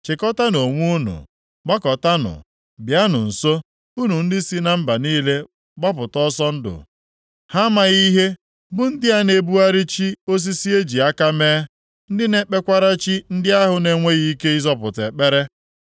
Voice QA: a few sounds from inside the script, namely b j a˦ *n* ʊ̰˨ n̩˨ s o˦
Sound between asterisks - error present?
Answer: no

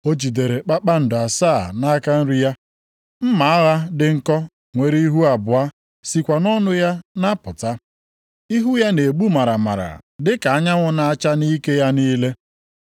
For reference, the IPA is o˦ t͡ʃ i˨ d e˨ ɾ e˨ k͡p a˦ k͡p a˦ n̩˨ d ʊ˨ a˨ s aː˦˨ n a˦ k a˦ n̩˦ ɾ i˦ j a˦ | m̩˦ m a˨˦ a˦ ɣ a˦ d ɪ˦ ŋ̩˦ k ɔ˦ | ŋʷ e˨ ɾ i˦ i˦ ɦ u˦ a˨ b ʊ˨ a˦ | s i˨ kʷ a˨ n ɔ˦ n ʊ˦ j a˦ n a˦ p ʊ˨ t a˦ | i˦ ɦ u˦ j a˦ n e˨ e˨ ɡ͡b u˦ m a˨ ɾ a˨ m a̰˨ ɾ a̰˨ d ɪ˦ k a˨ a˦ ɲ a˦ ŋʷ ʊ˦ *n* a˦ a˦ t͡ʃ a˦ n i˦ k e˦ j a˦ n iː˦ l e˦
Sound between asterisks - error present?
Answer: no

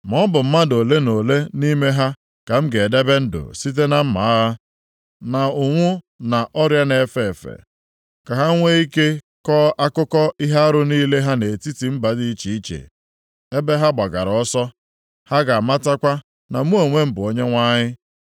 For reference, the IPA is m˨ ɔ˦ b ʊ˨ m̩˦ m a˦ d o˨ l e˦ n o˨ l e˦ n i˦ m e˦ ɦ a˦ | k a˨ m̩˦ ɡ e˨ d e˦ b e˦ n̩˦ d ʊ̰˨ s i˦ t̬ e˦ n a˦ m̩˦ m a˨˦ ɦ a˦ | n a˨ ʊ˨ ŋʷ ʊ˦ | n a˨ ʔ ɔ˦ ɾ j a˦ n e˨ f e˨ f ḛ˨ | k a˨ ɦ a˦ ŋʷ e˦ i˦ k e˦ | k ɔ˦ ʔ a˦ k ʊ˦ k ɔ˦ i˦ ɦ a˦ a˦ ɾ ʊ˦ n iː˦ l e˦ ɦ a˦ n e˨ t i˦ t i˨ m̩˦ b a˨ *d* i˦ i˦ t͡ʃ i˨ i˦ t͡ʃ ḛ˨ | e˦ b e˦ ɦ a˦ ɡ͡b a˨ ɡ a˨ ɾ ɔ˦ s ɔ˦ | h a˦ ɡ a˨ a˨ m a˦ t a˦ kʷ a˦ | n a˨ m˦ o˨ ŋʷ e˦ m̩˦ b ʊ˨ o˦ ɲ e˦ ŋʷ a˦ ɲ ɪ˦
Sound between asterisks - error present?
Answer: no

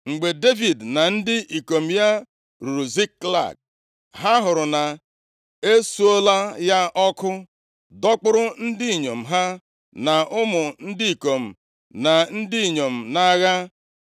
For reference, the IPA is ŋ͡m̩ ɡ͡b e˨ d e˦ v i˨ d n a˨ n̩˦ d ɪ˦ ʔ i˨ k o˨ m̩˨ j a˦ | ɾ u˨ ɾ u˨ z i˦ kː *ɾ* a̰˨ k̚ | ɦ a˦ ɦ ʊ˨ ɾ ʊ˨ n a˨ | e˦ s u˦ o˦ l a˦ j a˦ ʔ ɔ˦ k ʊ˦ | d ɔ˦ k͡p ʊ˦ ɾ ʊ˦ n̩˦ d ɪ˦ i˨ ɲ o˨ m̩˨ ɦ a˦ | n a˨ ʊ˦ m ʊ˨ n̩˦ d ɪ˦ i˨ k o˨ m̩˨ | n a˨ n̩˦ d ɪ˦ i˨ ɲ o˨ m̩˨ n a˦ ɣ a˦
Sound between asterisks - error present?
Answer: yes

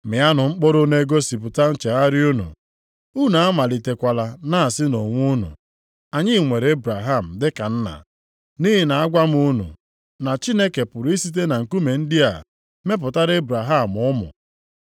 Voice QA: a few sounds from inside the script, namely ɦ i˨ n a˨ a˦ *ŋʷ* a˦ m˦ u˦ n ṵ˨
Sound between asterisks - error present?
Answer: yes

